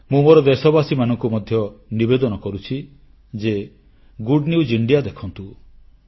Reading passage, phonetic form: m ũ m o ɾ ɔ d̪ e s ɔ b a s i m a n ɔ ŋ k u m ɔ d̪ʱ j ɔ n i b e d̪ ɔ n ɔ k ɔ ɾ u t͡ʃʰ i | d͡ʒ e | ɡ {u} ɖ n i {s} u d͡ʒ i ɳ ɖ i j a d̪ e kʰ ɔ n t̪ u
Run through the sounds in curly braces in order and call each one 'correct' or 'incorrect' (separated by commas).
correct, incorrect